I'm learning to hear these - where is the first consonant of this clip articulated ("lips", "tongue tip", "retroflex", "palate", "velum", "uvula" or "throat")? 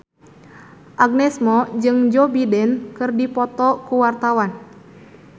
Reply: throat